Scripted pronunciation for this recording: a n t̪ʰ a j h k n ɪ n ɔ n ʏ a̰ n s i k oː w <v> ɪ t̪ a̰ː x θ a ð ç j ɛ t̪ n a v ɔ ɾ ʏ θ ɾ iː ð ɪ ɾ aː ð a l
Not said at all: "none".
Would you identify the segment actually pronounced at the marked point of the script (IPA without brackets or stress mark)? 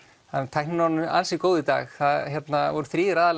ð